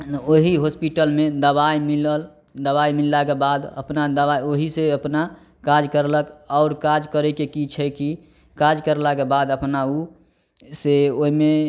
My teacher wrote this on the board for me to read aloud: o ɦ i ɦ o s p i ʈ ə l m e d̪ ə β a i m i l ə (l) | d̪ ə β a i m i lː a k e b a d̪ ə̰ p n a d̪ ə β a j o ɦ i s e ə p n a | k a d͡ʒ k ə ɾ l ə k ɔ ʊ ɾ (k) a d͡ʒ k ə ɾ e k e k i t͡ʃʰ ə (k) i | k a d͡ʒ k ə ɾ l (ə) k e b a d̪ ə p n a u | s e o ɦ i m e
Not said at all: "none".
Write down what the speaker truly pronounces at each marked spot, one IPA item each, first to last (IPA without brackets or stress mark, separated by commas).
l, k, k, a